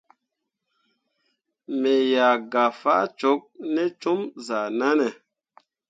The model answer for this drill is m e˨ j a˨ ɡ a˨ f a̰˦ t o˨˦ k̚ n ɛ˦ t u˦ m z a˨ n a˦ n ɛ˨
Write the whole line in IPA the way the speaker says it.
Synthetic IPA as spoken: m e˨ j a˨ ɡ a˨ f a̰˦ t͡ʃ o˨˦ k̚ n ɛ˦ t͡ʃ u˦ m z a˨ n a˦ n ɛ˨